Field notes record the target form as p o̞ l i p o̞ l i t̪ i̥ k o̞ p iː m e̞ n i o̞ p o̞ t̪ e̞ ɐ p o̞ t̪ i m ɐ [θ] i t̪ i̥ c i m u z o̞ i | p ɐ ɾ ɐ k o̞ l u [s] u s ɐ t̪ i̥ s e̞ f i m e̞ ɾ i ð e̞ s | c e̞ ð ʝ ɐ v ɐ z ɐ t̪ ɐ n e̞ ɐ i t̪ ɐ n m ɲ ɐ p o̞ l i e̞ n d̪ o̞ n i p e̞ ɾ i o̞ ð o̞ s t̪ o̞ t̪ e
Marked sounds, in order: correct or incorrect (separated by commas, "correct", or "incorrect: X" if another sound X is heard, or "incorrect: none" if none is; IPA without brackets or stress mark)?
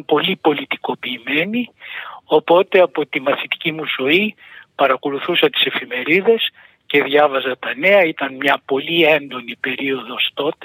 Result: correct, incorrect: θ